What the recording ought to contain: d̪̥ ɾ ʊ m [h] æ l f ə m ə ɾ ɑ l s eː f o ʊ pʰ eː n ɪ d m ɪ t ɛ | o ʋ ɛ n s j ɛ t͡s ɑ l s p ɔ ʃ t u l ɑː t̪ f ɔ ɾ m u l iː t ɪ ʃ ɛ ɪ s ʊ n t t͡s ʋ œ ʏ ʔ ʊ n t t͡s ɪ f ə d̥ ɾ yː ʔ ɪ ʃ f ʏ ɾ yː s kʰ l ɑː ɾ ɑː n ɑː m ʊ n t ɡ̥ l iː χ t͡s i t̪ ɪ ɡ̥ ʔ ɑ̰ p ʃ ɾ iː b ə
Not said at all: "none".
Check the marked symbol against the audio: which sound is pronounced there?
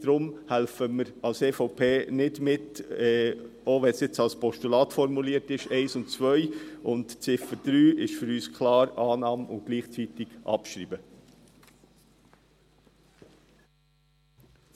h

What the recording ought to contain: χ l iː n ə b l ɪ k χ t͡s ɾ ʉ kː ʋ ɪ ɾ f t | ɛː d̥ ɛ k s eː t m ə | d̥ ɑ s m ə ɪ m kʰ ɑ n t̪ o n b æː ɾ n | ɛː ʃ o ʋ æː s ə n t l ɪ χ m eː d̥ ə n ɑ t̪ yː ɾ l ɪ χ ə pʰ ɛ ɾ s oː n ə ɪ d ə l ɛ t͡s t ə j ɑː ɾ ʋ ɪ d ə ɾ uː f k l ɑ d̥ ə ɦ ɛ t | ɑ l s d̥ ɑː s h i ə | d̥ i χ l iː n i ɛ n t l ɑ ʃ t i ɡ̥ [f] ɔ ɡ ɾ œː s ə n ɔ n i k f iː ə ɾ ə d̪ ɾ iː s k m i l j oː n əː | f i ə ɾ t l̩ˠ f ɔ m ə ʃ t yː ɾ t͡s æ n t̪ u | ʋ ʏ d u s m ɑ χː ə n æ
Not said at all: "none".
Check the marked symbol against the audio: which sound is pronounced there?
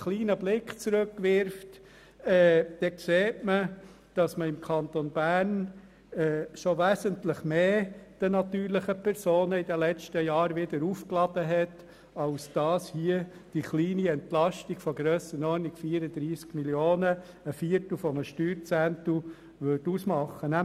f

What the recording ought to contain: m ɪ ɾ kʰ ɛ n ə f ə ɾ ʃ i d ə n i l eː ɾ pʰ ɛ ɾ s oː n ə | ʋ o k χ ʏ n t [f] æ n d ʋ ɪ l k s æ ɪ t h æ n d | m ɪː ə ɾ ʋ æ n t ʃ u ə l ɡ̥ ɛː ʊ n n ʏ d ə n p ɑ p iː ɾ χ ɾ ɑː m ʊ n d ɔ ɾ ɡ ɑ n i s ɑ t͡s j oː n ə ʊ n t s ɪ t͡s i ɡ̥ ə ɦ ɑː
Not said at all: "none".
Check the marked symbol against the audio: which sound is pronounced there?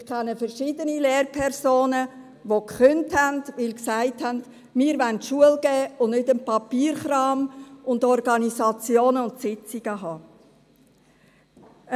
h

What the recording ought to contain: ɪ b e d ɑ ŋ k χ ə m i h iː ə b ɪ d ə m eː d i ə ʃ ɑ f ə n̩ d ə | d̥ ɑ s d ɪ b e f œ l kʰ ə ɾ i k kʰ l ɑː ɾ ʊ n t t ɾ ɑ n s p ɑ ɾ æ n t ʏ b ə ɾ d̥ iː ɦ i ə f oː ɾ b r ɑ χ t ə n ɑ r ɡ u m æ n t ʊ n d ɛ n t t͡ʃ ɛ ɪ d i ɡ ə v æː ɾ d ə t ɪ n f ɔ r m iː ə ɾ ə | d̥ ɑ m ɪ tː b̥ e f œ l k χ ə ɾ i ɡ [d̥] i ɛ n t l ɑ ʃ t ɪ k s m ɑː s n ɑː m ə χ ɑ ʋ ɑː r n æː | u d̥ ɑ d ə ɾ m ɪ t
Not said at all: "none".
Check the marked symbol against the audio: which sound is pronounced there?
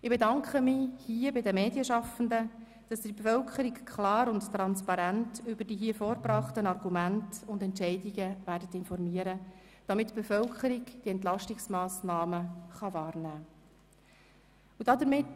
d̥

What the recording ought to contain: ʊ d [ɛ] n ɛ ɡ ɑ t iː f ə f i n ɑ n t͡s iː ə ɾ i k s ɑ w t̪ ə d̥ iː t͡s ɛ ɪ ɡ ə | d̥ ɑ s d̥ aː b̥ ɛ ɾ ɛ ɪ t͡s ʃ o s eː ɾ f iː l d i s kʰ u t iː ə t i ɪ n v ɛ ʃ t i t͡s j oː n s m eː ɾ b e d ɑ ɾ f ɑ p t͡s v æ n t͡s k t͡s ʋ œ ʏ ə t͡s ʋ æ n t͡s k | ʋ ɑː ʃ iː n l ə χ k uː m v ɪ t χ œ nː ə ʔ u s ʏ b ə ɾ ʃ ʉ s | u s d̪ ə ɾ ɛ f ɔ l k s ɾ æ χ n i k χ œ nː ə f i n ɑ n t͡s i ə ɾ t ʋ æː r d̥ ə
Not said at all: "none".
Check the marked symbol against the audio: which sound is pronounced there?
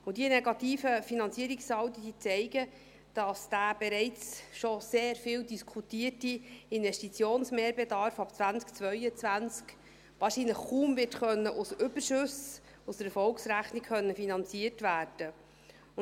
i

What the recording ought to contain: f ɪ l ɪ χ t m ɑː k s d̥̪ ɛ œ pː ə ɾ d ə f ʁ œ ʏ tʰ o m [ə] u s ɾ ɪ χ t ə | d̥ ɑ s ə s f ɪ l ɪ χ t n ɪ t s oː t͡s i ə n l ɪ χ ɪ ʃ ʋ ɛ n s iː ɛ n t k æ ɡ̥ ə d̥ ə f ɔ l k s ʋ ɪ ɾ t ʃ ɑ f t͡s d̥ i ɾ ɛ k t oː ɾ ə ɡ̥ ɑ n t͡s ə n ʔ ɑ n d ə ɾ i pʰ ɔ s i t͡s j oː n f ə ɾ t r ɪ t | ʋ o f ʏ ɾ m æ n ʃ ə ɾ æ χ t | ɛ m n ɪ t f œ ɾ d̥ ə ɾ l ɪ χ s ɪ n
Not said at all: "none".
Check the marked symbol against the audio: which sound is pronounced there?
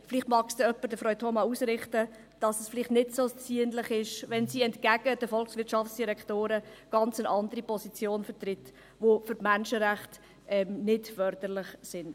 ɑ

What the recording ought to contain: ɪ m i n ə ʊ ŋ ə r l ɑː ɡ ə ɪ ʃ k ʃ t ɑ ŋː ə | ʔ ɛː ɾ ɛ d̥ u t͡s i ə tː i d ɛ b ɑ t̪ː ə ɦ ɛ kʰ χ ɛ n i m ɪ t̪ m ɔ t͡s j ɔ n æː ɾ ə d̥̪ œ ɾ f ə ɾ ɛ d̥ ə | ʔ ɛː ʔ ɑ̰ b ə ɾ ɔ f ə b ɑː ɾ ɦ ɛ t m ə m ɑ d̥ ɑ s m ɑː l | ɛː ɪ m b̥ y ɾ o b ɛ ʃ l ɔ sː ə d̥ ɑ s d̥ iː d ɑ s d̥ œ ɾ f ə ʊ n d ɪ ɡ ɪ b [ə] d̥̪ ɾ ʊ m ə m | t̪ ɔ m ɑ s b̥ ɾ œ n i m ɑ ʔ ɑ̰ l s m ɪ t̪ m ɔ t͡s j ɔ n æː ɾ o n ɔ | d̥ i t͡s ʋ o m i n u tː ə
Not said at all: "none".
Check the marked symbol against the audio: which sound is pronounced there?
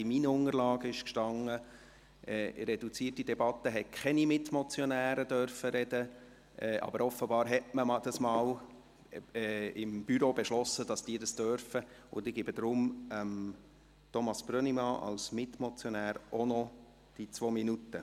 ə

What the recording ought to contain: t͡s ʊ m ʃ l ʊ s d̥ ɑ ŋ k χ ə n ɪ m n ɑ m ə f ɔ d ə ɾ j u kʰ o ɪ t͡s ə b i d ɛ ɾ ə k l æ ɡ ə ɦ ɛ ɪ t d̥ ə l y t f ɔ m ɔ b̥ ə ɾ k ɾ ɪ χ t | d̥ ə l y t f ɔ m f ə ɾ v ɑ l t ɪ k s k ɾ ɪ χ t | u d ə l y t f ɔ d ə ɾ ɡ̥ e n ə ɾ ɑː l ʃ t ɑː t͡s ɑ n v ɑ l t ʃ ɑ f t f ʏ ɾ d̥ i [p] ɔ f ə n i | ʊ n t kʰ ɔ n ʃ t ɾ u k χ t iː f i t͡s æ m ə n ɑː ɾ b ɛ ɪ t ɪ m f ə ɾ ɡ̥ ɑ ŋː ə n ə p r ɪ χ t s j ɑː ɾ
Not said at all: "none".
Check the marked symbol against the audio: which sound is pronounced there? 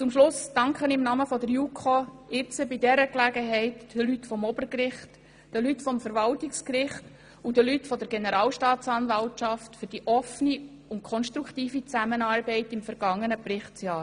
ʔ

